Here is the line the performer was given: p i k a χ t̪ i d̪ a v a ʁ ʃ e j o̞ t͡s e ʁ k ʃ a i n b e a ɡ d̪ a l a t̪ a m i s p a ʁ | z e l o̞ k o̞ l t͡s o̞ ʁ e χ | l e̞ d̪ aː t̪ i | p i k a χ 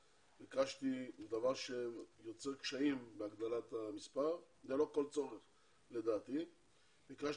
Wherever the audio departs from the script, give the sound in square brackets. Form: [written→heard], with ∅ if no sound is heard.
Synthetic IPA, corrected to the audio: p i k a [χ→ʃ] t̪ i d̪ a v a ʁ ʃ e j o̞ t͡s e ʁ k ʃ a i [n→m] b e a ɡ d̪ a l a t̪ a m i s p a ʁ | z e l o̞ k o̞ l t͡s o̞ ʁ e χ | l e̞ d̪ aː t̪ i | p i k a [χ→ʃ]